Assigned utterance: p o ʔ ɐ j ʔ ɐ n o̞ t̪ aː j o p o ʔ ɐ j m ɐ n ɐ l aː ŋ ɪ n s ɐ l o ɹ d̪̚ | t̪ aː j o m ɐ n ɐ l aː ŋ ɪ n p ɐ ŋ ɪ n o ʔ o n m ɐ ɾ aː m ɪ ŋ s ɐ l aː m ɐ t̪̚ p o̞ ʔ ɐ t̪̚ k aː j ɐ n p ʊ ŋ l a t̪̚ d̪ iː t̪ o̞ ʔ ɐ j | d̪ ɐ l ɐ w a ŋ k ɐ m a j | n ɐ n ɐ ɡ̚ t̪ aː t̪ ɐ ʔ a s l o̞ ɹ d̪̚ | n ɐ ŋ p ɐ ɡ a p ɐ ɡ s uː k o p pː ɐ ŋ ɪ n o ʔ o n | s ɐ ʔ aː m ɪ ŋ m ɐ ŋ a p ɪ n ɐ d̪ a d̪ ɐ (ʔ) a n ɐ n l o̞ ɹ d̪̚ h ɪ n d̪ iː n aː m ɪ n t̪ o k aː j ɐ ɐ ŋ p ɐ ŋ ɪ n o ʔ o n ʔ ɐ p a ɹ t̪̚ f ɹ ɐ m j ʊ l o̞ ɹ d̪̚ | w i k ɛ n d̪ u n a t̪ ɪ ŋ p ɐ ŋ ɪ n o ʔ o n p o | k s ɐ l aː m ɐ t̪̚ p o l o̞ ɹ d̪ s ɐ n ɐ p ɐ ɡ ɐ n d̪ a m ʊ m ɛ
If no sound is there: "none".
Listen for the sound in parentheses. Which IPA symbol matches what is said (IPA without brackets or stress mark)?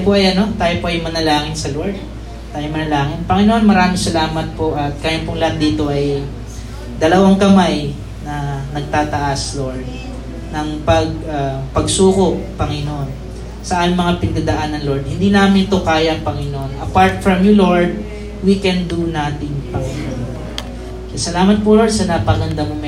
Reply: ʔ